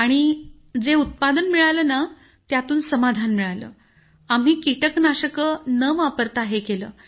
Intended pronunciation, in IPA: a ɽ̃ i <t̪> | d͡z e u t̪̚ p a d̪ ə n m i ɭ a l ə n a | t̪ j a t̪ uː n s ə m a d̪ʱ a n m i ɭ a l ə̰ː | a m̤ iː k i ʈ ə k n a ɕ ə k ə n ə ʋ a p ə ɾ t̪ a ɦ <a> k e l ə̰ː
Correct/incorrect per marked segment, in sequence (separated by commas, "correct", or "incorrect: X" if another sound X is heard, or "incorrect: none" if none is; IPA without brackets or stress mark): incorrect: none, incorrect: e